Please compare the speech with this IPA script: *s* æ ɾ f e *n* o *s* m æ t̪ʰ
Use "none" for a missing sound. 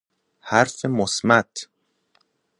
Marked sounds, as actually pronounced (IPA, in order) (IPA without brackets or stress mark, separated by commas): h, m, s